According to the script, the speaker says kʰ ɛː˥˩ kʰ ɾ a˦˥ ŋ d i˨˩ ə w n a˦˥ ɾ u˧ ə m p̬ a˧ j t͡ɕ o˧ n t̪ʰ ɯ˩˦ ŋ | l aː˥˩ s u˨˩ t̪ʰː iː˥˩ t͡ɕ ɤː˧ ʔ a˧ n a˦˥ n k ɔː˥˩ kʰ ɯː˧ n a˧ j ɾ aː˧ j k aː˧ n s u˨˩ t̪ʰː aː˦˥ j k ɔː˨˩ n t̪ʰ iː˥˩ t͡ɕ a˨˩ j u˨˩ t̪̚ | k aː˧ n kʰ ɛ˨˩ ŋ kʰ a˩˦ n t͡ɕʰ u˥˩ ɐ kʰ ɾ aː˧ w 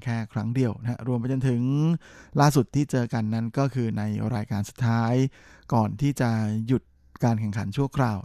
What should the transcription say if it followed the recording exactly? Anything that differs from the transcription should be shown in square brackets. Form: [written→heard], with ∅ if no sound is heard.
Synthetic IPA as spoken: kʰ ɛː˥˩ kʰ ɾ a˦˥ ŋ d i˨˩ ə w n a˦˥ ɾ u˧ ə m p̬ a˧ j t͡ɕ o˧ n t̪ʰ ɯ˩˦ ŋ | l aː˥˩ s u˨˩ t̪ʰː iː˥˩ t͡ɕ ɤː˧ [ʔ→k] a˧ [n→nː] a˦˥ n k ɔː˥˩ kʰ ɯː˧ n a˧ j ɾ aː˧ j k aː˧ n s u˨˩ t̪ʰː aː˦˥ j k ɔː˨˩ n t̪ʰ iː˥˩ t͡ɕ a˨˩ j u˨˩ t̪̚ | k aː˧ n kʰ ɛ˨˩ ŋ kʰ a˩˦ n t͡ɕʰ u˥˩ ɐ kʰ ɾ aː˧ w